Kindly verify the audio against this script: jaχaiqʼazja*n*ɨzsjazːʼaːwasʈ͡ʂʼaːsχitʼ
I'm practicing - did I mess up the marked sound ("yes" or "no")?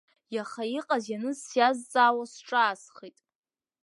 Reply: no